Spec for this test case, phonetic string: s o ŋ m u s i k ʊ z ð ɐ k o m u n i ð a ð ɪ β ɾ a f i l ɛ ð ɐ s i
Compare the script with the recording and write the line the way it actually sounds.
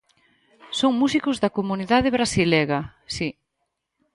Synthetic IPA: s o ŋ m u s i k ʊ z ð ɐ k o m u n i ð a ð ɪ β ɾ a s i l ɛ ɣ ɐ s i